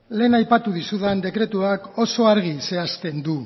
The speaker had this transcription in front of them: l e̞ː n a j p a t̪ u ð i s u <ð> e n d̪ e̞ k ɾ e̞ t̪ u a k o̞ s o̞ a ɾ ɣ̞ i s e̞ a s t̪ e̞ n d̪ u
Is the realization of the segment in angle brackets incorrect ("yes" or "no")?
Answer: no